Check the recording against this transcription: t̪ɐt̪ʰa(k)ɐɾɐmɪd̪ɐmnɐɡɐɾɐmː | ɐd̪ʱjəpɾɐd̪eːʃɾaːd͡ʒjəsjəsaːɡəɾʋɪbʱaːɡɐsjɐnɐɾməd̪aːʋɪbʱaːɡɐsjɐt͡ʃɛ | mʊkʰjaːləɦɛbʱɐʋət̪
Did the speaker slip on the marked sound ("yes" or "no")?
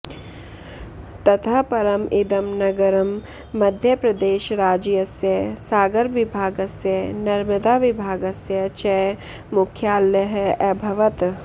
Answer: yes